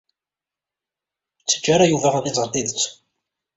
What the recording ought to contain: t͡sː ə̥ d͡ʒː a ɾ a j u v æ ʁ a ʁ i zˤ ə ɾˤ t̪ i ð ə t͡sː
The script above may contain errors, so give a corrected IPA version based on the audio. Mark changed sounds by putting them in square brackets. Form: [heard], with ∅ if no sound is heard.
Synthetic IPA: t͡sː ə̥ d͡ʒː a ɾ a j u v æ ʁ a [ð] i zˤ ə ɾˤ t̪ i ð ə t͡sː